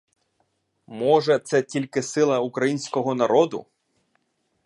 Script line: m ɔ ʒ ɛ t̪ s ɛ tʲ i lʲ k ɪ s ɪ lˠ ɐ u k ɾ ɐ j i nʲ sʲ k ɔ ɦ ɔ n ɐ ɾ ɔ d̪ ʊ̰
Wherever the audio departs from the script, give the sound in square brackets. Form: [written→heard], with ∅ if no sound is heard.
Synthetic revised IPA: m ɔ ʒ ɛ t̪ s ɛ tʲ i lʲ k ɪ s ɪ lˠ ɐ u k ɾ ɐ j i nʲ sʲ k ɔ ɦ ɔ n ɐ ɾ ɔ d̪ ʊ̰